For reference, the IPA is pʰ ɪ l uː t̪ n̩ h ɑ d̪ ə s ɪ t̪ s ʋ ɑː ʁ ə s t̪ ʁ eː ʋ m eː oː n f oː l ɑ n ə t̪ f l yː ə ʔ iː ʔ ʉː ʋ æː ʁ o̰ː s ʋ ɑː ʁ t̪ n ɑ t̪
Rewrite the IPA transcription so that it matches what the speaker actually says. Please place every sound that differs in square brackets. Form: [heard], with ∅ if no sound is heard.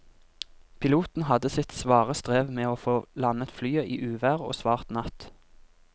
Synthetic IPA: pʰ ɪ l uː t̪ n̩ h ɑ d̪ ə s ɪ t̪ s ʋ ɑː ʁ ə s t̪ ʁ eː ʋ m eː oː [∅] f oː l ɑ n ə t̪ f l yː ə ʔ iː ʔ ʉː ʋ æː ʁ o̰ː s ʋ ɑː ʁ t̪ n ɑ t̪